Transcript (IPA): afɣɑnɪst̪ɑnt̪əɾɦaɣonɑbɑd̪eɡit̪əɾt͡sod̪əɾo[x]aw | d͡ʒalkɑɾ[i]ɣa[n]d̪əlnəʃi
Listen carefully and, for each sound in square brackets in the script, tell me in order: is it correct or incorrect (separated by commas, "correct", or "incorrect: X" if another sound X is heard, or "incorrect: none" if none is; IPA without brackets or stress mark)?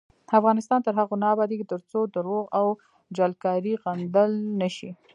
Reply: incorrect: ɣ, correct, correct